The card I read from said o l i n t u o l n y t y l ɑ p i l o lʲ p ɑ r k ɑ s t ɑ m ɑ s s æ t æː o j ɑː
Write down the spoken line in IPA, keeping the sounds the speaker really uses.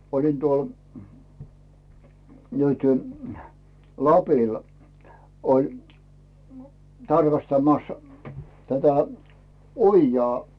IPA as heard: o l i n t u o l n y t y l ɑ p i l o lʲ t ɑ r k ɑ s t ɑ m ɑ s t æ t æ o jː ɑː

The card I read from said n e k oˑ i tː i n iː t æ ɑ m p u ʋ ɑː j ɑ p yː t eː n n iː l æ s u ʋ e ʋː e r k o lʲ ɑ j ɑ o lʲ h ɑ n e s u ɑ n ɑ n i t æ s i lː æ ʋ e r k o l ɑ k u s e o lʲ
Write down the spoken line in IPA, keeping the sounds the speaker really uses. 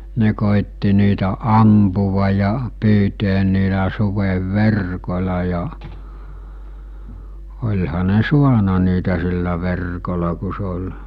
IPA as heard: n e k oˑ i tː i n iː t æ ɑ m p u ʋ ɑ j ɑ p yː t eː n n iː l æ s u ʋ e ʋː e r k o lʲ ɑ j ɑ o lʲ h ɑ n e s u ɑ n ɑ n iː t æ s i lː æ ʋ e r k o l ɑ k u s e o lʲ

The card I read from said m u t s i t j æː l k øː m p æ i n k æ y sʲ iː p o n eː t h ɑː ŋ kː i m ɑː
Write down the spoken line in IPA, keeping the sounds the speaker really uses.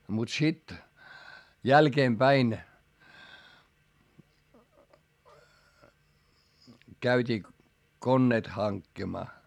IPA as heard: m u t s i t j æ l k eː m p æ i n k æ y tʲ iː k o nː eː t h ɑ ŋ kː i m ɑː

